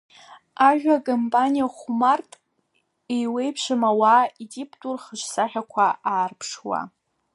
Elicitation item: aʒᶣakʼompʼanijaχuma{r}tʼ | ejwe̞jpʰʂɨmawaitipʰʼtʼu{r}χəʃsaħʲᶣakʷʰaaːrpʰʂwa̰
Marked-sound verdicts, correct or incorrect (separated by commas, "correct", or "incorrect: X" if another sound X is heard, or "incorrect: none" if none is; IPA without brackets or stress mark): correct, correct